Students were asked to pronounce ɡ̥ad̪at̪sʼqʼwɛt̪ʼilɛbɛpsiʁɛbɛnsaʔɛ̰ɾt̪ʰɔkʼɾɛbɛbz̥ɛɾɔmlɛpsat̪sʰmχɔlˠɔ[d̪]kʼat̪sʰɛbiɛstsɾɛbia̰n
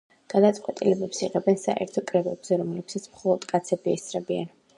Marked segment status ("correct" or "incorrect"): correct